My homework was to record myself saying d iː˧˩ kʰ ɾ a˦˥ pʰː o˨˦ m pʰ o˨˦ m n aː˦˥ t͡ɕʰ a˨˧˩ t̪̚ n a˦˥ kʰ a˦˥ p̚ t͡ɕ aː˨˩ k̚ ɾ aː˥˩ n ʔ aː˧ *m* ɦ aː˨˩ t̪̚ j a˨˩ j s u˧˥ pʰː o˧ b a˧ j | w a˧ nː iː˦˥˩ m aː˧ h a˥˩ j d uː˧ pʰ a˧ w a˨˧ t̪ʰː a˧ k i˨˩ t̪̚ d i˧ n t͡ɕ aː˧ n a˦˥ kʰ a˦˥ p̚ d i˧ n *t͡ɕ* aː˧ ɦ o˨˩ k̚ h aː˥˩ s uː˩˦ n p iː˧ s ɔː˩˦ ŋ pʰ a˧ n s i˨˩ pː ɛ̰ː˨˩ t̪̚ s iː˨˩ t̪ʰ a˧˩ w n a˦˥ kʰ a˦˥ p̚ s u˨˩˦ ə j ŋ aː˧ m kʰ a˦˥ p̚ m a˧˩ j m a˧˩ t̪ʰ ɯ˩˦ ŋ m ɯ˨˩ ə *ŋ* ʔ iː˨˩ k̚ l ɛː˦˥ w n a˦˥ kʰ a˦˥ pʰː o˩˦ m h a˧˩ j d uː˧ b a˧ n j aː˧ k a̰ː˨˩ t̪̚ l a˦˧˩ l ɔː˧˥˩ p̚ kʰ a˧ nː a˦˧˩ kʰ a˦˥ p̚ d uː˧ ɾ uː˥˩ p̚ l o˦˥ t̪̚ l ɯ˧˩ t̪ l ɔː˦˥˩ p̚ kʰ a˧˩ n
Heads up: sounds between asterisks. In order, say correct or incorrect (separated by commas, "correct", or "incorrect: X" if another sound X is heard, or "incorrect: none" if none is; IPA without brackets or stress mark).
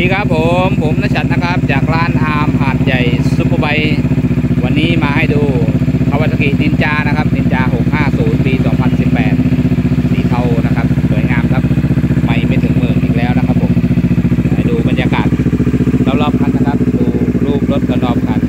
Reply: correct, correct, correct